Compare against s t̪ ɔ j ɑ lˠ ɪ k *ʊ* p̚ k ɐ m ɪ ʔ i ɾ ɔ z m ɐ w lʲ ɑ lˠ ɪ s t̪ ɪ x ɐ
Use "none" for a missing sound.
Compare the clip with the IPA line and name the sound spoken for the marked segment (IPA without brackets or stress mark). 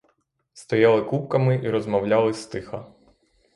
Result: u